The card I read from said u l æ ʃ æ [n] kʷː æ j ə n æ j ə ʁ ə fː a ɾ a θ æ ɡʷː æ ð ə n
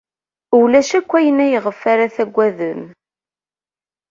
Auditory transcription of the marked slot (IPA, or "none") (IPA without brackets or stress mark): none